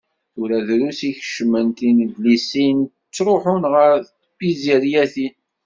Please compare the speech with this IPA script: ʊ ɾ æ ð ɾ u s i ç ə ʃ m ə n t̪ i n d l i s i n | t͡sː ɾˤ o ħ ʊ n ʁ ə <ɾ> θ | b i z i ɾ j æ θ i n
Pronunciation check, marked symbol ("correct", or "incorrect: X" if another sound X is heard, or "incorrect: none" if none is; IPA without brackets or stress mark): correct